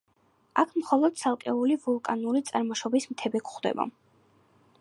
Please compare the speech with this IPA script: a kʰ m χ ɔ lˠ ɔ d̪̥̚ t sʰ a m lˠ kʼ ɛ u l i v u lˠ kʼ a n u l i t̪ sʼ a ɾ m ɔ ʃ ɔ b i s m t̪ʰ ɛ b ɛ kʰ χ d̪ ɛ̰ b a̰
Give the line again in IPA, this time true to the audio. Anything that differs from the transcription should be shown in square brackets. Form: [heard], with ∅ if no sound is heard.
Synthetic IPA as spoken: a kʰ m χ ɔ lˠ ɔ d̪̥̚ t sʰ a [∅] lˠ kʼ ɛ u l i v u lˠ kʼ a n u l i t̪ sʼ a ɾ m ɔ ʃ ɔ b i s m t̪ʰ ɛ b ɛ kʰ χ d̪ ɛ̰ b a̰